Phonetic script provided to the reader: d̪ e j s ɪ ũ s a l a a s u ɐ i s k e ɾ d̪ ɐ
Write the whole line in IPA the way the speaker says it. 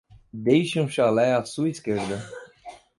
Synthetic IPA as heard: d̪ e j ʃ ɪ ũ ʃ a l ɛ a s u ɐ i s k e ɾ d̪ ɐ